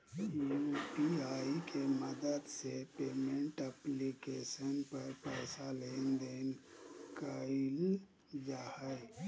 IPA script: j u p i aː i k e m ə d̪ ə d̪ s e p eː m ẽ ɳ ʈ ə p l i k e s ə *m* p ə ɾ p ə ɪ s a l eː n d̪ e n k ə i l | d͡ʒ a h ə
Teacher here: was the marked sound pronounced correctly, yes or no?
no